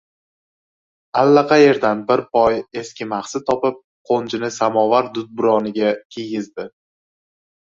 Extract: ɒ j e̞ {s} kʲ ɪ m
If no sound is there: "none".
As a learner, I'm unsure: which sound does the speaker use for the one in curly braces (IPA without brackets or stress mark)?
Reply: s